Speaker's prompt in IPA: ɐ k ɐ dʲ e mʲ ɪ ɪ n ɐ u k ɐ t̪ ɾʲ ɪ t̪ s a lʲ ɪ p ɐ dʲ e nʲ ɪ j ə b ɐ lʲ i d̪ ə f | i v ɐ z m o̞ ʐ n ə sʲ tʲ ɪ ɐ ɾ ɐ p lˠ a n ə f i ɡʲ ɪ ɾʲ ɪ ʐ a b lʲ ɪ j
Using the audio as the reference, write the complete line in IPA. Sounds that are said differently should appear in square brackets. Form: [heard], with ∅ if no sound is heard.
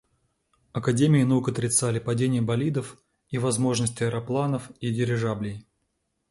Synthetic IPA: ɐ k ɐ dʲ e mʲ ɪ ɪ n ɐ u k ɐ t̪ ɾʲ ɪ t̪ s a lʲ ɪ p ɐ dʲ e nʲ ɪ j ə b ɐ lʲ i d̪ ə f | i v ɐ z m o̞ ʐ n ə sʲ tʲ ɪ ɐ ɾ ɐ p lˠ a n ə f i [dʲ] ɪ ɾʲ ɪ ʐ a b lʲ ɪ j

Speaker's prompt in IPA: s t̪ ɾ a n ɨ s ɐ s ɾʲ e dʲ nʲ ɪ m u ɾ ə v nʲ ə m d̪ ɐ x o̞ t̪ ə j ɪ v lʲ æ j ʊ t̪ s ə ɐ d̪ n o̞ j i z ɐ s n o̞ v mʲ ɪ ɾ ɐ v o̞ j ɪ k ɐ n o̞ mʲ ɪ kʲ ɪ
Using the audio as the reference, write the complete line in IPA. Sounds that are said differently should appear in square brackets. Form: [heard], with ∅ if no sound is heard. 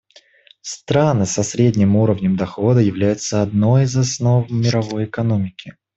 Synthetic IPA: s t̪ ɾ a n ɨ s ɐ s ɾʲ e dʲ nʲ ɪ m u ɾ ə v nʲ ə m d̪ ɐ x o̞ [d̪] ə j ɪ v lʲ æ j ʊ t̪ s ə ɐ d̪ n o̞ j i z ɐ s n o̞ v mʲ ɪ ɾ ɐ v o̞ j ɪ k ɐ n o̞ mʲ ɪ kʲ ɪ

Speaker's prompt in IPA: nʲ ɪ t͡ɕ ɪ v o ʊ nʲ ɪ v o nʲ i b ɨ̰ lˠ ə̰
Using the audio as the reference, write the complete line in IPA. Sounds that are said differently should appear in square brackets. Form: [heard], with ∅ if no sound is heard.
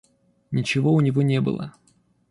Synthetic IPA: nʲ ɪ t͡ɕ ɪ v o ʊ nʲ ɪ v o nʲ [e] b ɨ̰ lˠ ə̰

